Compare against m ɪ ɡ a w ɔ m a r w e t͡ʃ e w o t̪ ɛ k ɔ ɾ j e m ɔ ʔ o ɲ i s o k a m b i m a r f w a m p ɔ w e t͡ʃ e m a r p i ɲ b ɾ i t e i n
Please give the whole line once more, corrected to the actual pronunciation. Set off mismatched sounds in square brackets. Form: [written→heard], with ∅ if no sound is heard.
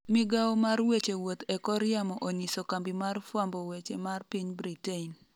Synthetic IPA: m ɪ ɡ a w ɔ m a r w e t͡ʃ e w o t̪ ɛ k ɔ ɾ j [e→a] m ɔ ʔ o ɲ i s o k a m b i m a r f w a m [p→b] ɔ w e t͡ʃ e m a r p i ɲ b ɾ i t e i n